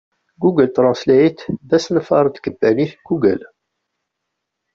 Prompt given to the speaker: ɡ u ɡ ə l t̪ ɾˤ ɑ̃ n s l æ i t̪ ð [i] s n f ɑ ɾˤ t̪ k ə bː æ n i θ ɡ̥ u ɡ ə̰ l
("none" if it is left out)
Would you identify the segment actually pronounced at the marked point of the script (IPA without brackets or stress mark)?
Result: æ